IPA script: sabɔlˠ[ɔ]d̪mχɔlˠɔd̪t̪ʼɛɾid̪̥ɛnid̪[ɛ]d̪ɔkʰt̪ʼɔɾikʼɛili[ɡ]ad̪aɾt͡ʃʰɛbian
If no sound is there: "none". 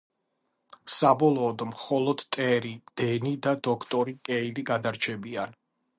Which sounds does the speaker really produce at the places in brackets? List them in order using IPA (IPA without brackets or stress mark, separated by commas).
ɔː, a, ɡ